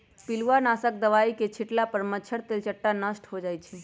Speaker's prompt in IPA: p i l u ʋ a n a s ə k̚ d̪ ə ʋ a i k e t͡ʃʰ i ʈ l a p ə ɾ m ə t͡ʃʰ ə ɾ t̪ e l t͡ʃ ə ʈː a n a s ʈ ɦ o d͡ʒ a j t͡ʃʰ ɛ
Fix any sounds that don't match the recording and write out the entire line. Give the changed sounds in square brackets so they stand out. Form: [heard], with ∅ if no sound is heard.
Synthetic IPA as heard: p i l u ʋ a n a s ə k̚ d̪ ə ʋ a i k e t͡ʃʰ i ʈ l a p ə ɾ m ə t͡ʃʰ ə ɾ t̪ e l t͡ʃ ə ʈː a n [ə] s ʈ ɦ o d͡ʒ a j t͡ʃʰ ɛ